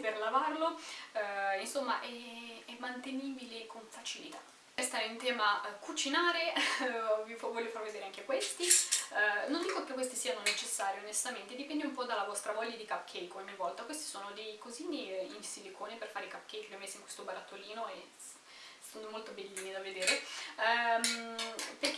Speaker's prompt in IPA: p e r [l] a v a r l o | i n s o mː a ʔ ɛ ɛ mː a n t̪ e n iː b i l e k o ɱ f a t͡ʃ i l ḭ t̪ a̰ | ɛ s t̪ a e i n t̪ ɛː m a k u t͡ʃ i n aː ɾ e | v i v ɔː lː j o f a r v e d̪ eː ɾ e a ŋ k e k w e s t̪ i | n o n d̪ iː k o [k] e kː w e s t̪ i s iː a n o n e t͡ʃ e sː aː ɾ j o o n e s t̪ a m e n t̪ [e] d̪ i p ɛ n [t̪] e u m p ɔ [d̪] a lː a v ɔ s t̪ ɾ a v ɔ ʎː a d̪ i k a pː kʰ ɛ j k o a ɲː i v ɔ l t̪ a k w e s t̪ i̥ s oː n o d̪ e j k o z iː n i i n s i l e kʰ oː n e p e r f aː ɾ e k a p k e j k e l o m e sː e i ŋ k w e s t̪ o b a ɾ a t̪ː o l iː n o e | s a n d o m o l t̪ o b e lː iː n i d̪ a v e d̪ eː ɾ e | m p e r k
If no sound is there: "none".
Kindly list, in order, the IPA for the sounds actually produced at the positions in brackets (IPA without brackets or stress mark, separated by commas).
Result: l, k, e, d̪, d̪